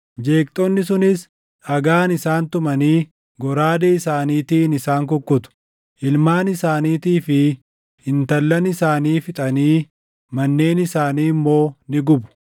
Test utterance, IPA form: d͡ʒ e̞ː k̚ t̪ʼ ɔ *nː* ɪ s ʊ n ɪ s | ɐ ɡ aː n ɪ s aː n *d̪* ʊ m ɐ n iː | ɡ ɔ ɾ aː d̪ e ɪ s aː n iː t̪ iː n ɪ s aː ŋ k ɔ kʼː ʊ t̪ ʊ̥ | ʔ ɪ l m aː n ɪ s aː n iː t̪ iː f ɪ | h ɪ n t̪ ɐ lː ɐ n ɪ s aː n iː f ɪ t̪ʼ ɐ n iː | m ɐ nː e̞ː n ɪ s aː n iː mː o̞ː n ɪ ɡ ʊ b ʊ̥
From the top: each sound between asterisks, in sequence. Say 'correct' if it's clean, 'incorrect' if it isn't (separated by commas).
correct, incorrect